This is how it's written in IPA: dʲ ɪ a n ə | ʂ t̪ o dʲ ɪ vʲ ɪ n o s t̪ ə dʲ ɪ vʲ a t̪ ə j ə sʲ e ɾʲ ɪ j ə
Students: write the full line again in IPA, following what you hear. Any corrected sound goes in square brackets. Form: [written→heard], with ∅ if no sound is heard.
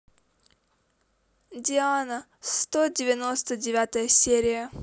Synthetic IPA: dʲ ɪ a n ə | [ʂ→s] t̪ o dʲ ɪ vʲ ɪ n o s t̪ ə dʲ ɪ vʲ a t̪ ə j ə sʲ e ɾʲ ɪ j ə

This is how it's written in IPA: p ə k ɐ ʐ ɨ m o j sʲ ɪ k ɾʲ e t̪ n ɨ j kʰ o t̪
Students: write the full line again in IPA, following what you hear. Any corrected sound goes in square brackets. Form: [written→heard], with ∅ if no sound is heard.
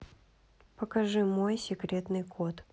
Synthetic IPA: p ə k ɐ ʐ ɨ m o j sʲ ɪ k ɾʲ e t̪ n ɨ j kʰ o t̪

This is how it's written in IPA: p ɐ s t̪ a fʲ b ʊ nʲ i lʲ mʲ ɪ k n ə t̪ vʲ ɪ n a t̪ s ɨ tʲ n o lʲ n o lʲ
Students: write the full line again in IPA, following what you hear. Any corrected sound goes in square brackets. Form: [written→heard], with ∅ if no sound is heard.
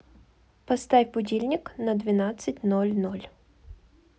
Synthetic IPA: p ɐ s t̪ a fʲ b ʊ [nʲ→dʲ] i lʲ [mʲ→nʲ] ɪ k n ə [t̪→d̪] vʲ ɪ n a t̪ s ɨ tʲ n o lʲ n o lʲ

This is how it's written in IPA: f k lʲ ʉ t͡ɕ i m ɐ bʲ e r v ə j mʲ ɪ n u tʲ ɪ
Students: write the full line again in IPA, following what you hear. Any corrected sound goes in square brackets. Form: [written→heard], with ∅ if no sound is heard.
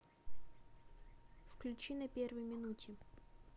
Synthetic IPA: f k lʲ ʉ t͡ɕ i [m→n] ɐ [bʲ→pʲ] e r v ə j mʲ ɪ n u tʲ ɪ

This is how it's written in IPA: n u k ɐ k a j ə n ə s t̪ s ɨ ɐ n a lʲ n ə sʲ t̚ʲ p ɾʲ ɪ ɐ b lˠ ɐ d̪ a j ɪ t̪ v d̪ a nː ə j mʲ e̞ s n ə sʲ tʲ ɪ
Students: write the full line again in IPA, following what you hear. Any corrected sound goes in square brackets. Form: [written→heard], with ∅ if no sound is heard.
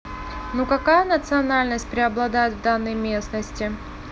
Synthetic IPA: n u k ɐ k a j ə n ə [s→∅] t̪ s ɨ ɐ n a lʲ n ə sʲ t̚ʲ p ɾʲ ɪ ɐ b lˠ ɐ d̪ a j ɪ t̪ v d̪ a nː ə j mʲ e̞ s n ə sʲ tʲ ɪ

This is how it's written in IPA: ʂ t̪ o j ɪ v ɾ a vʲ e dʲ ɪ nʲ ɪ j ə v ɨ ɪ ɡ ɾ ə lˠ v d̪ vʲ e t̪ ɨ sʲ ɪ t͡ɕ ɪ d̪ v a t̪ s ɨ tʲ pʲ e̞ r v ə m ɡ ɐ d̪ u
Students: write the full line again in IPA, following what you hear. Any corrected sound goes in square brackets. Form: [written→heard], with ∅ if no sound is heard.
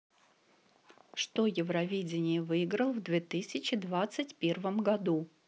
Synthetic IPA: ʂ t̪ o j ɪ v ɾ [a→ɐ] vʲ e dʲ ɪ nʲ ɪ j ə v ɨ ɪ ɡ ɾ ə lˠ v d̪ vʲ e t̪ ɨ sʲ ɪ t͡ɕ ɪ d̪ v a t̪ s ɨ tʲ pʲ e̞ r v ə m ɡ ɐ d̪ u

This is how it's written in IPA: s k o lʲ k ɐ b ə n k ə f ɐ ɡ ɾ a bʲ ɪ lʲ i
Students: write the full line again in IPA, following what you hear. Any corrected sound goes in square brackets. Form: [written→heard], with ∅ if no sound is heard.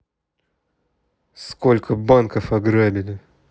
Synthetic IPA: s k o lʲ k [ɐ→ə] b [ə→a] n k ə f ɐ ɡ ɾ a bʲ ɪ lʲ [i→ɪ]

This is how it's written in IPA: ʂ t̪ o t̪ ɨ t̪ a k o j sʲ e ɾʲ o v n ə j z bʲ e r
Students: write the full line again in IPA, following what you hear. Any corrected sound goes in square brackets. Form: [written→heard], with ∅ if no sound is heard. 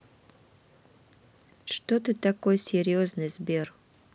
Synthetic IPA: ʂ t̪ o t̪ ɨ t̪ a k o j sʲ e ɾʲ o [v→z] n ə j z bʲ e r

